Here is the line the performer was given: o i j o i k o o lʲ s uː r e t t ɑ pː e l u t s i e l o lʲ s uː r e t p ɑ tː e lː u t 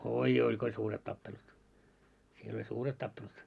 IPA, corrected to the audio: o i j o i k o o lʲ s uː r e t t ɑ pː e l u t s i e l o lʲ s uː r e t t ɑ pː e l u t